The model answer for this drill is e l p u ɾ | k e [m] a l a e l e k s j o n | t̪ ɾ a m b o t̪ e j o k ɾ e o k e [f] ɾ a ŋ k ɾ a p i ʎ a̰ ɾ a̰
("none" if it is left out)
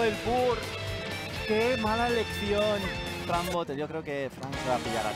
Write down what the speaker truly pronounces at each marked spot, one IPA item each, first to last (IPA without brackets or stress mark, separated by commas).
m, f